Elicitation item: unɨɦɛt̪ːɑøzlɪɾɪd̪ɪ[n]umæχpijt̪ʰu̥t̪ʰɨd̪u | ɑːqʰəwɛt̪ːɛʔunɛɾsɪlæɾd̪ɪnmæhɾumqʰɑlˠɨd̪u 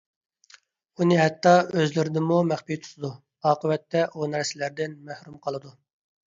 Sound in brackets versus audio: incorrect: m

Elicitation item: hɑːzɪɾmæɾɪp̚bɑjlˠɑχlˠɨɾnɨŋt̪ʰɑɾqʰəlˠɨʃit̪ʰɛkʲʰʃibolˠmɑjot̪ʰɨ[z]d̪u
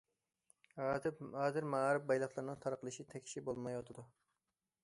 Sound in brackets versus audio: incorrect: none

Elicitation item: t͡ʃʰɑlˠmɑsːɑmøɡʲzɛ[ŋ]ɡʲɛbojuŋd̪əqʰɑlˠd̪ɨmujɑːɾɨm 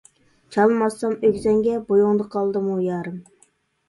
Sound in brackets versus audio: correct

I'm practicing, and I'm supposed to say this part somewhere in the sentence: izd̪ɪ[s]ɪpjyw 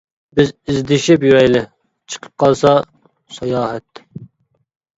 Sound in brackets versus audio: incorrect: ʃ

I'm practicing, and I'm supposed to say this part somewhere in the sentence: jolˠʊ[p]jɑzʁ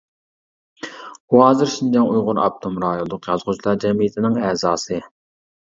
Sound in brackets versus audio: incorrect: q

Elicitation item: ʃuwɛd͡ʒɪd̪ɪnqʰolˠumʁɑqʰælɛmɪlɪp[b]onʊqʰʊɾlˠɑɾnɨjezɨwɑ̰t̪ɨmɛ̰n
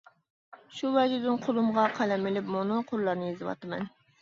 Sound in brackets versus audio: incorrect: m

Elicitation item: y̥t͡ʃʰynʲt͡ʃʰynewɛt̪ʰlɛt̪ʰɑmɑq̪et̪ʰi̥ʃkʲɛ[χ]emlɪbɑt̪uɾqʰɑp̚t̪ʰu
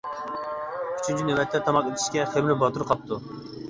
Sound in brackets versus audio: correct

